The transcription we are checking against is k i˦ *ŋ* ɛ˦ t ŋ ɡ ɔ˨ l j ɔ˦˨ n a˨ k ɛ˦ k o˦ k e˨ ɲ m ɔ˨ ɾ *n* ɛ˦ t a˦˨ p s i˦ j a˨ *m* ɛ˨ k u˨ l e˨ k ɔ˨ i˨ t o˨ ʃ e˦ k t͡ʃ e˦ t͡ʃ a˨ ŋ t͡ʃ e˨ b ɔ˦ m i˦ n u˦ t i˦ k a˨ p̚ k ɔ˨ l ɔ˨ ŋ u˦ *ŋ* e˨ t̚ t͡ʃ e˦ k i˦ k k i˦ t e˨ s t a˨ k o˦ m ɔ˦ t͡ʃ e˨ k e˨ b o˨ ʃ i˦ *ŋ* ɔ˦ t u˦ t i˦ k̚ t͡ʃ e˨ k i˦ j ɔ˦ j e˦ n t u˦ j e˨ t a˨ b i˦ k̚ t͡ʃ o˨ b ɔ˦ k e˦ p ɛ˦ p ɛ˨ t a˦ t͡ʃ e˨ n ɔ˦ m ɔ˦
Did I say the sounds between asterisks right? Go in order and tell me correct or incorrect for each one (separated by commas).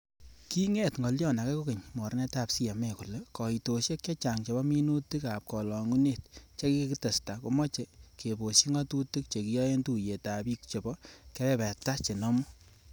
correct, correct, correct, incorrect, correct